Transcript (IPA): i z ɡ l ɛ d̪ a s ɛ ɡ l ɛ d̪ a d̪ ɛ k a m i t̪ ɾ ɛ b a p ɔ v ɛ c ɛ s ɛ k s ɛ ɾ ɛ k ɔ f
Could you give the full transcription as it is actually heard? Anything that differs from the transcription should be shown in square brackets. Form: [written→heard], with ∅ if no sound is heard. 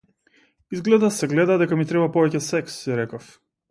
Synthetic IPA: i z ɡ l ɛ d̪ a s ɛ ɡ l ɛ d̪ a d̪ ɛ k a m i t̪ ɾ ɛ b a p ɔ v ɛ c ɛ s ɛ k s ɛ ɾ ɛ k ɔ f